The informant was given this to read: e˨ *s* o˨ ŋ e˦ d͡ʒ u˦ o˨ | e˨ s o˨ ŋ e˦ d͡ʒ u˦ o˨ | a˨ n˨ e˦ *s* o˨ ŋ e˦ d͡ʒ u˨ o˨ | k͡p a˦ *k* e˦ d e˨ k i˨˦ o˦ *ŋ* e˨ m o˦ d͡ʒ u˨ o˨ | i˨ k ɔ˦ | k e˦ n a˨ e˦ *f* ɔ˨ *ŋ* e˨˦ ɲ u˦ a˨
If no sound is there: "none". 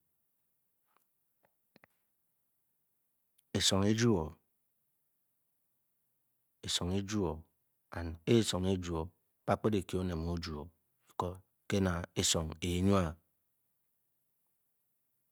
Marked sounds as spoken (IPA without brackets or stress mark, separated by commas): s, s, k͡p, n, s, ŋ